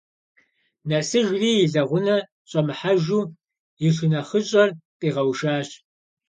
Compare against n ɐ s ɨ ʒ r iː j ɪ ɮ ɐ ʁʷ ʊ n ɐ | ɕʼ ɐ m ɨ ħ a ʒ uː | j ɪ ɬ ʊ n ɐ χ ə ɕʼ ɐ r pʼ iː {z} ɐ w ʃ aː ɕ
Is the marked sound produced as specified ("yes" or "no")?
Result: no